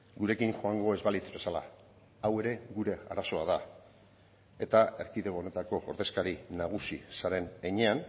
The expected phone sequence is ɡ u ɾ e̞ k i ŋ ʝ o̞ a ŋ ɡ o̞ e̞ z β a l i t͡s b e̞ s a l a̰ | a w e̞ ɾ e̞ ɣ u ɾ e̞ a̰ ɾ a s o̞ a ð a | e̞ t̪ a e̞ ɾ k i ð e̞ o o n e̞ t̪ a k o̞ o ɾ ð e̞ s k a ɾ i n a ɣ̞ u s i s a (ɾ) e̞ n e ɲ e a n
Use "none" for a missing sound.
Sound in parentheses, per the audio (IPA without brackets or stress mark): ɾ